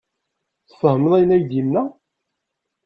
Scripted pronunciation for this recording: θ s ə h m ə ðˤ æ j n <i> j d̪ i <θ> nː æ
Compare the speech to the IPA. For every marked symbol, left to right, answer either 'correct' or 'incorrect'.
incorrect: æ, incorrect: none

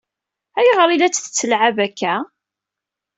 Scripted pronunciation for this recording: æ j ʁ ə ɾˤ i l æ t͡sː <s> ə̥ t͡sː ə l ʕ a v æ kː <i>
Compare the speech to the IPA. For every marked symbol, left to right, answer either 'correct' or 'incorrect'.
incorrect: θ, incorrect: æ

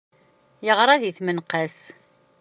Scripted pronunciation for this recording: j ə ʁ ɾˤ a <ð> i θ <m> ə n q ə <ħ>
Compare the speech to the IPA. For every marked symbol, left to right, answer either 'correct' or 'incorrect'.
correct, correct, incorrect: s

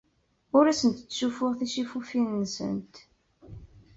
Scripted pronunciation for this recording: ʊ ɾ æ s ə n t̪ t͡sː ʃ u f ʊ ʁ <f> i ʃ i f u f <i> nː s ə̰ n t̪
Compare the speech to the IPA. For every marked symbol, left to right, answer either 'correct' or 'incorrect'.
incorrect: θ, correct

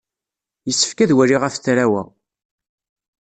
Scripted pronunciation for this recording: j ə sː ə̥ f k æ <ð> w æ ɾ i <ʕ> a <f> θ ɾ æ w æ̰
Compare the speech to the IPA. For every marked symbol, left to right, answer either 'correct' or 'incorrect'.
correct, incorrect: ʁ, correct

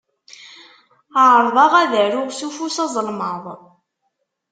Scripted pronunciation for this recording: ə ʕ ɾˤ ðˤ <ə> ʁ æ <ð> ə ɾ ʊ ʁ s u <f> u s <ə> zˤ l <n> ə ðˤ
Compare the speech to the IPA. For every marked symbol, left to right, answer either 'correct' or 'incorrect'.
incorrect: ɑ, correct, correct, incorrect: ɑ, incorrect: m

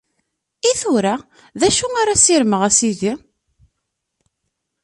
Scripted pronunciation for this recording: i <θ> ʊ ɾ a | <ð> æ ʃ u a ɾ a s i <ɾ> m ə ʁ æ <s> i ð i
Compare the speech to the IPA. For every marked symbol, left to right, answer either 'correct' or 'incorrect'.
correct, correct, correct, correct

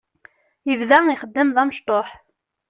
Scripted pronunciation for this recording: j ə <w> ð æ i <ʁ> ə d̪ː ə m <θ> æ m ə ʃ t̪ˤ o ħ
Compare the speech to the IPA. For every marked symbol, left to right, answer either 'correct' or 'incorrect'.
incorrect: v, incorrect: χ, incorrect: ð

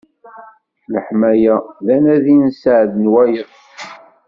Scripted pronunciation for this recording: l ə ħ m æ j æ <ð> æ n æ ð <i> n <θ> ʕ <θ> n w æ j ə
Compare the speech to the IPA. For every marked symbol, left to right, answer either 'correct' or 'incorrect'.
correct, correct, incorrect: s, incorrect: ð

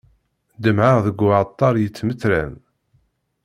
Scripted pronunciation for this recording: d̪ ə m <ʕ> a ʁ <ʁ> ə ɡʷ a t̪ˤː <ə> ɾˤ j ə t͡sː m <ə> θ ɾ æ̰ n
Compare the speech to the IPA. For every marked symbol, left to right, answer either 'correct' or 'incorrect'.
correct, incorrect: ð, incorrect: ɑ, correct

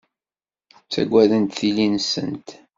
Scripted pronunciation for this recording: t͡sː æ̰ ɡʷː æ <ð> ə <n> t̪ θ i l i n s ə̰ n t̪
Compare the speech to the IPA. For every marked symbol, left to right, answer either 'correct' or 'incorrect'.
correct, correct

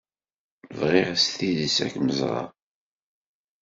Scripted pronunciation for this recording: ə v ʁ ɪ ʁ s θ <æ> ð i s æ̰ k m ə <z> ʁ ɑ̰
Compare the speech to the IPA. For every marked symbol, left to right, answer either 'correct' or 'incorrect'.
incorrect: i, correct

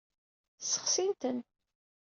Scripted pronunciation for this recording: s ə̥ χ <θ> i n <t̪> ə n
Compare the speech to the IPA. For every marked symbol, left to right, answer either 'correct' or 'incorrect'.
incorrect: s, correct

